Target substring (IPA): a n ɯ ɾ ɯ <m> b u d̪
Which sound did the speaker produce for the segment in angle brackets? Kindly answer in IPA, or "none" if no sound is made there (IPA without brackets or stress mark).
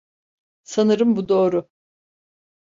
m